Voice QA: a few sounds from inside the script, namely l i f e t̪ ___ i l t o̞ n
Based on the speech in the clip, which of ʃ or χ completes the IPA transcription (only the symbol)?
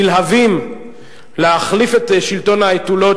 ʃ